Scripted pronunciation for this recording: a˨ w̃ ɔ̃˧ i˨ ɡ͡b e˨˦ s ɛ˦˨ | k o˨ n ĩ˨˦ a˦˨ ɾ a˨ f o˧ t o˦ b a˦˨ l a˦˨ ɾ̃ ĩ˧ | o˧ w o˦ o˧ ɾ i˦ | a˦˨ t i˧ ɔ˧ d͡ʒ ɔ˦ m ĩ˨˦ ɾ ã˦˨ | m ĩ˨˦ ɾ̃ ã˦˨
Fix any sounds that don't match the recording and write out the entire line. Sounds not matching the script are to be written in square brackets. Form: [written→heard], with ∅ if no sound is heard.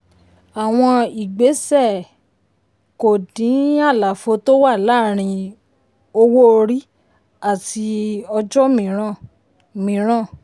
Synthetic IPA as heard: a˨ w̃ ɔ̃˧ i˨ ɡ͡b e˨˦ s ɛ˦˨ | k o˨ [n→d] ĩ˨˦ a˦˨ [ɾ→l] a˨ f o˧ t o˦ [b→w] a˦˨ l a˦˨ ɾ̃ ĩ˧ | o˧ w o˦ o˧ ɾ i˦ | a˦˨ t i˧ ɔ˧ d͡ʒ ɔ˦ m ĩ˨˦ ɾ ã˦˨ | m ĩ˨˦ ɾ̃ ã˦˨